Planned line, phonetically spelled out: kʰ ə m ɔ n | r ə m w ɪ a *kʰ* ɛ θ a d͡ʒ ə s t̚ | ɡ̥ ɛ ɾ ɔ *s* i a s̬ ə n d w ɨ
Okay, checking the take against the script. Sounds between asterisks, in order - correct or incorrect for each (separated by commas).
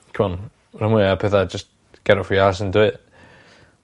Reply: incorrect, incorrect